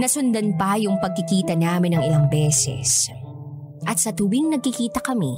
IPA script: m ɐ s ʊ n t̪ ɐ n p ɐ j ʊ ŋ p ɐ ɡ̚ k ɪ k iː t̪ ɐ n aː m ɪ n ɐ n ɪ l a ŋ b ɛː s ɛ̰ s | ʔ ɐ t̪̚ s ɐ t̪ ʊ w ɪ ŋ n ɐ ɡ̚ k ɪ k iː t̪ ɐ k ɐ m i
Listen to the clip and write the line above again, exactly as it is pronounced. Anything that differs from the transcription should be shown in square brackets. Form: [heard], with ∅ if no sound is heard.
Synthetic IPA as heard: [n] ɐ s ʊ n [d̪] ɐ n p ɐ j ʊ ŋ p ɐ ɡ̚ k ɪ k iː t̪ ɐ n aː m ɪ n ɐ [ŋ] ɪ l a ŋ b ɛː s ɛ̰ s | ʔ ɐ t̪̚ s ɐ t̪ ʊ w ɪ ŋ n ɐ ɡ̚ k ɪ k iː t̪ ɐ k ɐ m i